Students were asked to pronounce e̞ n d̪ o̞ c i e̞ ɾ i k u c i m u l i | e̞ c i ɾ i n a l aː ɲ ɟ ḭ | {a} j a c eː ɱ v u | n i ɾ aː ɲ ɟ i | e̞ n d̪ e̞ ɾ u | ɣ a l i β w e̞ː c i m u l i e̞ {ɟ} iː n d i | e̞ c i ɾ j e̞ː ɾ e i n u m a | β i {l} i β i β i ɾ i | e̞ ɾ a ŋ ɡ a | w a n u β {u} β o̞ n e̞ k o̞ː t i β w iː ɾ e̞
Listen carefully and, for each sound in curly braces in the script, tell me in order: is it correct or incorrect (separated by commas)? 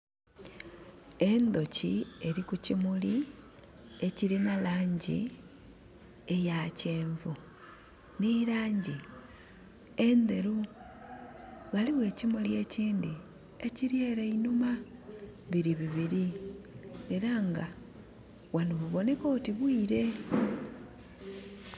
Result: incorrect, incorrect, incorrect, correct